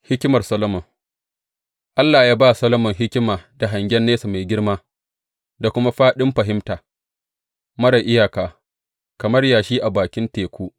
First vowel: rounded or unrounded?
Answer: unrounded